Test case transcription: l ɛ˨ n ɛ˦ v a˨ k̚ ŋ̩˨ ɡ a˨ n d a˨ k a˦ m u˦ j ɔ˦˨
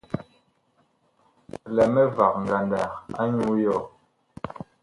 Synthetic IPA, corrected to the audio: l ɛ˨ m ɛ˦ v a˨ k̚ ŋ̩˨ ɡ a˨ n d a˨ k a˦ ɲ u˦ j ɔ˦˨